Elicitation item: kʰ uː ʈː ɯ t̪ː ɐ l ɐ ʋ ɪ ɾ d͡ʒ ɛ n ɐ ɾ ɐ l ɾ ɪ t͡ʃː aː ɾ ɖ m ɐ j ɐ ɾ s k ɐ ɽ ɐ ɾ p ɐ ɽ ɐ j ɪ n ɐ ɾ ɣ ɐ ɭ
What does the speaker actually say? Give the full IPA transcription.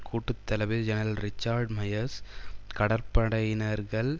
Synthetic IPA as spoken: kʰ uː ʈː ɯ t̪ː ɐ l ɐ ʋ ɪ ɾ d͡ʒ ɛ n ɐ ɾ ɐ l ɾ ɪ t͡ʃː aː ɾ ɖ m ɐ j ɐ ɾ s k ɐ ɽ ɐ ɾ p ɐ ɽ ɐ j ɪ n ɐ ɾ ɣ ɐ ɭ